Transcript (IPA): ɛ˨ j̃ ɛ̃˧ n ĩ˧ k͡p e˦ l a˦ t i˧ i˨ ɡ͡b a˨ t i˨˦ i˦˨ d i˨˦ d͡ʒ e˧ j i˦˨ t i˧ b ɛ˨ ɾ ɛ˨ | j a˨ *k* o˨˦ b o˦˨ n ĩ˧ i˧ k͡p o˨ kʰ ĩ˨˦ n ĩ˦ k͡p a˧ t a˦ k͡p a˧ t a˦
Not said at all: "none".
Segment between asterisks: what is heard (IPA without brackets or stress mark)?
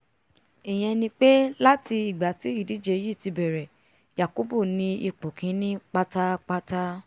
k